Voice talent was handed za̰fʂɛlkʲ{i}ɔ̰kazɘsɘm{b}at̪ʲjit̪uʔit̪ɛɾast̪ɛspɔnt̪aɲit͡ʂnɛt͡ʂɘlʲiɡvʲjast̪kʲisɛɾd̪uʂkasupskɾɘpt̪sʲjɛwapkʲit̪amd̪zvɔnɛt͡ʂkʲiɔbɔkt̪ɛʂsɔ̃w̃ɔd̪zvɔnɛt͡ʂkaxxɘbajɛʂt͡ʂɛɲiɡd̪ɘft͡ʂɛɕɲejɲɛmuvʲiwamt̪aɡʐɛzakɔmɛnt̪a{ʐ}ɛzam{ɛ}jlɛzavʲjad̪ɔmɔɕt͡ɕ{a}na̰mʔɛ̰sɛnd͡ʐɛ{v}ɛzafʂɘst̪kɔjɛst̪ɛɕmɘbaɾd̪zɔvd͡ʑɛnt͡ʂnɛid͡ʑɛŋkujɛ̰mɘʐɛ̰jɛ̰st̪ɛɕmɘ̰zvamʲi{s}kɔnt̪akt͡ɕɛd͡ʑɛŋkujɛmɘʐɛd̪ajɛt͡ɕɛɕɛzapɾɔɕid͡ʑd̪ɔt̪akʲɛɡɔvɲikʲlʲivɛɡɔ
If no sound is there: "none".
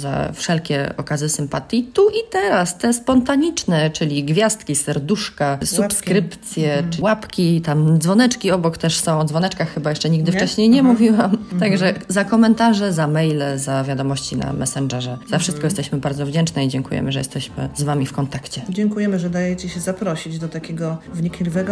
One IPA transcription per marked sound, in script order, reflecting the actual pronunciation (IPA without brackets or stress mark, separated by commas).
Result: ɛ, p, ʐ, ɛ, i, ʐ, f